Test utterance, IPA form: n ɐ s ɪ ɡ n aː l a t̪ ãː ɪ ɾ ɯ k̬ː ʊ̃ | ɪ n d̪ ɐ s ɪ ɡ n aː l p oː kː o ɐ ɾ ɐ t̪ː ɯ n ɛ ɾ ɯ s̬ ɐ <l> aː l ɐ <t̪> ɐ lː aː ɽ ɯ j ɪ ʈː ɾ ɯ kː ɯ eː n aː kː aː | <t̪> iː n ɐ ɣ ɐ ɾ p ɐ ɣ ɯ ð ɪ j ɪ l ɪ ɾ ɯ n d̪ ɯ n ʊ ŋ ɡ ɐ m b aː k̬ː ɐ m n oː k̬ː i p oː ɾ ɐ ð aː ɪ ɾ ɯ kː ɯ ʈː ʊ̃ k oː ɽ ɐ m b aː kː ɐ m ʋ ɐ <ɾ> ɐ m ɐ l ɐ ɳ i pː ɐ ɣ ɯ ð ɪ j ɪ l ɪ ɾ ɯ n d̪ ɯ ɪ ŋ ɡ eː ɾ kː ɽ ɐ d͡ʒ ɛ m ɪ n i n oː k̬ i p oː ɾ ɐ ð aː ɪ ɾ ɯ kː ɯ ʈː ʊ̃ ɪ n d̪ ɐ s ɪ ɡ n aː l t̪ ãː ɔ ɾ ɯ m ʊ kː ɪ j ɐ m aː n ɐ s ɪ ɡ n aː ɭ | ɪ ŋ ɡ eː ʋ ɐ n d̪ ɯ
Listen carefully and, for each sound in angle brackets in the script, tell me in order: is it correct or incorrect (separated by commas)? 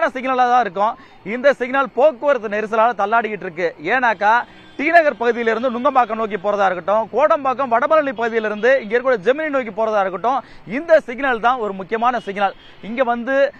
correct, correct, correct, incorrect